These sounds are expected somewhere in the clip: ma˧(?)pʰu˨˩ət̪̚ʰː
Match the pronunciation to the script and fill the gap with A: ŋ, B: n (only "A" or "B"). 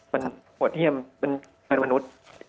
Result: B